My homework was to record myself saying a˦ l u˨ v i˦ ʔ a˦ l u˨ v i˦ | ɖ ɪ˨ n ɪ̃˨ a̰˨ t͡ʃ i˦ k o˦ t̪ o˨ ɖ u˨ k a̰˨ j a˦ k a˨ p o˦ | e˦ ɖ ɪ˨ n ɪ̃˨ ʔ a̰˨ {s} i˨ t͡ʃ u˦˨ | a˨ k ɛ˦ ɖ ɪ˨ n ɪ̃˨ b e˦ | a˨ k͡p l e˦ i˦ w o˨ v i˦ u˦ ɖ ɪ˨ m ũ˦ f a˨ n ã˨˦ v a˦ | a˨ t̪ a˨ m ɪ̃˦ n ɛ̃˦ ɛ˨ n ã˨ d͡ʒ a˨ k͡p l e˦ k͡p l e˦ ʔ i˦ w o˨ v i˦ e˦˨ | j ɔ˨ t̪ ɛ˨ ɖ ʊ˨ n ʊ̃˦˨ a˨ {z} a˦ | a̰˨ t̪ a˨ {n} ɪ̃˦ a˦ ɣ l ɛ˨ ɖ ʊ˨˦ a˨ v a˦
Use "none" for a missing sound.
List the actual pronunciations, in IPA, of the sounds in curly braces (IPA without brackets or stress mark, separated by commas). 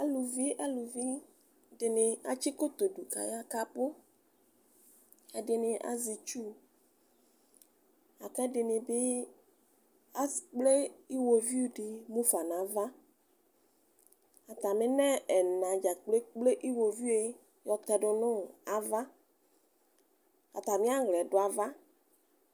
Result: z, v, m